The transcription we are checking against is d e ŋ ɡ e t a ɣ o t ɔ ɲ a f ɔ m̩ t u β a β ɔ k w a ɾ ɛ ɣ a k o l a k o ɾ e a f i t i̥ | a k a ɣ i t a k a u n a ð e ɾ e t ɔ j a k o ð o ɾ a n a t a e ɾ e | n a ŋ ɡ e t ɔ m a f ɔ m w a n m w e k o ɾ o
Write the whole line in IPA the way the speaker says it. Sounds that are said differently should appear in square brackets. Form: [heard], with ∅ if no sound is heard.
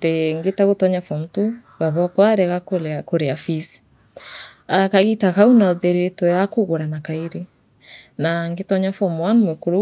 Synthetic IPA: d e ŋ ɡ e t a ɣ o t ɔ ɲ a f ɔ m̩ t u β a β ɔ k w a ɾ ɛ ɣ a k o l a k o ɾ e a f i [s] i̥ | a k a ɣ i t a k a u n a ð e ɾ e t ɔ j a k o [ɣ] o ɾ a n a [k] a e ɾ e | n a ŋ ɡ e t ɔ [ɲ] a f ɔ m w a n m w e k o ɾ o